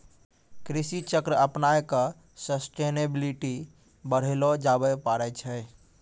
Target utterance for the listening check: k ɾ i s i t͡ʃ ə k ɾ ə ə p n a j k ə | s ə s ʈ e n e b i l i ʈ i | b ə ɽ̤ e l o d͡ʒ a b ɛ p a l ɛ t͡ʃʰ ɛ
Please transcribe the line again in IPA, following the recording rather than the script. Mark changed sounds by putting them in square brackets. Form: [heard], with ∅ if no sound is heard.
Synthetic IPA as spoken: k ɾ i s i t͡ʃ ə k ɾ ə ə p n a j k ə | s ə s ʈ e n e b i l i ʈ i | b ə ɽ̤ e l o d͡ʒ a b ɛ p a [ɾ] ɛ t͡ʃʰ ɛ